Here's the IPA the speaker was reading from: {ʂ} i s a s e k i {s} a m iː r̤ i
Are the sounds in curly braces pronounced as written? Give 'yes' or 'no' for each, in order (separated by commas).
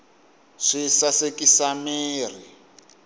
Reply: yes, yes